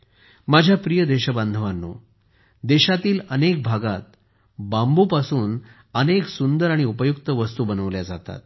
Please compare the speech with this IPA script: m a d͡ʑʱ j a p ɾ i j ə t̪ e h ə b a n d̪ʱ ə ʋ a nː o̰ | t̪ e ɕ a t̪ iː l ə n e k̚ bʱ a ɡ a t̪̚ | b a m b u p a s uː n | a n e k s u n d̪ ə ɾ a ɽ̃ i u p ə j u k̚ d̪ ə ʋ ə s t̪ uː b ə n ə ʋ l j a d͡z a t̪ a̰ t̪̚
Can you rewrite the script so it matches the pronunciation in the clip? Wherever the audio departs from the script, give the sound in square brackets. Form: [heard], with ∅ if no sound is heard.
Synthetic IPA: m a d͡ʑʱ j a p ɾ i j ə [d̪] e [ɕ] ə b a n d̪ʱ ə ʋ a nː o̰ | [d̪] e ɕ a t̪ iː l ə n e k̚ bʱ a ɡ a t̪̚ | b a m b u p a s uː n | [ə] n e k s u n d̪ ə ɾ a ɽ̃ i u p ə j u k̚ [t̪] ə ʋ ə s t̪ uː b ə n ə ʋ l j a d͡z a t̪ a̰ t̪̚